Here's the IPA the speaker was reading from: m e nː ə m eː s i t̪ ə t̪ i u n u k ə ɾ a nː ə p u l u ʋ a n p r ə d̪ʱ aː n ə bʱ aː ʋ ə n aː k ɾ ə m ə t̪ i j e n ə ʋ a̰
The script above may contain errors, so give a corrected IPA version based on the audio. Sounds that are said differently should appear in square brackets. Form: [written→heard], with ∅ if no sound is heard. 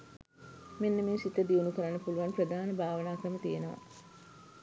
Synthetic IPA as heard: m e nː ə m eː s i t̪ ə [t̪→d̪] i u n u k ə ɾ a nː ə p u l u ʋ a n p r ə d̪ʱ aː n ə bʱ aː ʋ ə n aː k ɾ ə m ə t̪ i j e n ə ʋ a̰